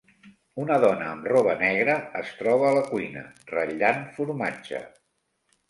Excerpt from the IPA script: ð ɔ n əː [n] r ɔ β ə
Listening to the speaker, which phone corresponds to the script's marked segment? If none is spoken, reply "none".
m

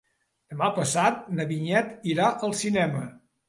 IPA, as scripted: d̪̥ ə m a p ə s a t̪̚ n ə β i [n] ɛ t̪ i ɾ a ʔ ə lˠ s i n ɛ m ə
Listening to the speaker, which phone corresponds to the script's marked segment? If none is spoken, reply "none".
ɲ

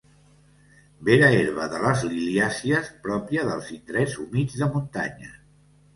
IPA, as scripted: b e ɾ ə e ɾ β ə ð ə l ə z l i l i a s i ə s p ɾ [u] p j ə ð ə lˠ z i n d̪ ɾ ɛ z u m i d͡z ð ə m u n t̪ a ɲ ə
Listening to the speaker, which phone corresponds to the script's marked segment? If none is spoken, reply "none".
ɔ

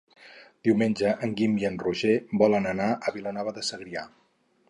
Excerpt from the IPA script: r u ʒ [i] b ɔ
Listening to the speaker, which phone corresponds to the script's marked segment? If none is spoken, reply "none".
e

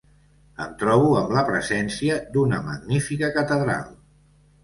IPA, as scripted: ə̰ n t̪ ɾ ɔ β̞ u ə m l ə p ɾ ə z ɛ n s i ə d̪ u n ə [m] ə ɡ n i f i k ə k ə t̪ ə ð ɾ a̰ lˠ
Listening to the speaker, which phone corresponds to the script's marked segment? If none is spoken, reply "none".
m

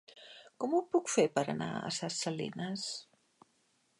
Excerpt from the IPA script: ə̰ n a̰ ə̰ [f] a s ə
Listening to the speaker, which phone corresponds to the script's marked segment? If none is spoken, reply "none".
s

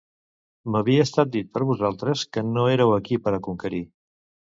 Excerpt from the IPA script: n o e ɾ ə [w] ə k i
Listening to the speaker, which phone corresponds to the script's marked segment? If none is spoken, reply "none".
w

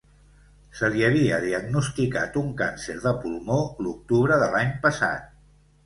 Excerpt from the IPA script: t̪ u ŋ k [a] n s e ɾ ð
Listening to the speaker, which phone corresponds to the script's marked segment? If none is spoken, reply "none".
a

